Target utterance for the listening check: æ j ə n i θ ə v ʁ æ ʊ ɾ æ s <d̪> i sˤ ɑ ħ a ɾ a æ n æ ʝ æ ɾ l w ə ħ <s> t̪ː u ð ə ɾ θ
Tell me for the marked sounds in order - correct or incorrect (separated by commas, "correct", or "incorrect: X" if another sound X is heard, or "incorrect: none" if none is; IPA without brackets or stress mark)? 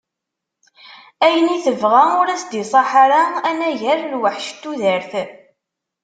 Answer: correct, incorrect: ʃ